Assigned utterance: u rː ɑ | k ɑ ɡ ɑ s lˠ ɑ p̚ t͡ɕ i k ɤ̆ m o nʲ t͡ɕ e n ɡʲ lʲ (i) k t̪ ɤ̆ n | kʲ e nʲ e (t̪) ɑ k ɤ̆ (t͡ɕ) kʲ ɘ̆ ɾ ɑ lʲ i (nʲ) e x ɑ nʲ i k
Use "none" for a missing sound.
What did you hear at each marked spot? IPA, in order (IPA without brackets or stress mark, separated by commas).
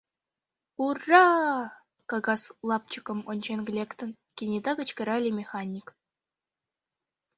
e, d̪, t͡ɕ, mʲ